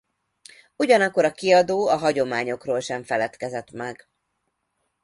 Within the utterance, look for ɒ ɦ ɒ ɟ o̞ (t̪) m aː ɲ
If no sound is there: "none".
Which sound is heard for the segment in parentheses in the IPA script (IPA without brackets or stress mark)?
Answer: none